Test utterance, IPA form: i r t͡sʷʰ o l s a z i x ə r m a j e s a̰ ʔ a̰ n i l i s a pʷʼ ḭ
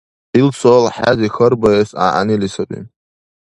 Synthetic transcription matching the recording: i l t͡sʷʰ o l ħ a z i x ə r b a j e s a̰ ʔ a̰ n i l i s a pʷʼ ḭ